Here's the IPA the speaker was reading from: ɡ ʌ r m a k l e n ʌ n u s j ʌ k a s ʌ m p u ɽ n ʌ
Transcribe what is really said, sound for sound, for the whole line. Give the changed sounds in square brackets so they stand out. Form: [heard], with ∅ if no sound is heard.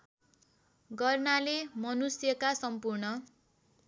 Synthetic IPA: ɡ ʌ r [n] a [∅] l e [m] ʌ n u s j ʌ k a s ʌ m p u [r] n ʌ